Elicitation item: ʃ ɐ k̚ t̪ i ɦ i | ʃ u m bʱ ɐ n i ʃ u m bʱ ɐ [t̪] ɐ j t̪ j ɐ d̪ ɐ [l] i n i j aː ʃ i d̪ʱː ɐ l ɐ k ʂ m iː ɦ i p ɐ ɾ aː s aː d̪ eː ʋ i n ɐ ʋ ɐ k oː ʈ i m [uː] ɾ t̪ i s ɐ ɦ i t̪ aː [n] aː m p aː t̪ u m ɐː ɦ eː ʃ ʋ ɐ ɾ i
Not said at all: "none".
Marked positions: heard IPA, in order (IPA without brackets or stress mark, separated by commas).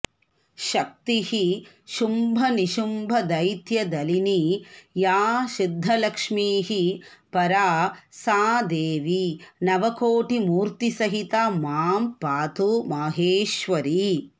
d̪, l, uː, m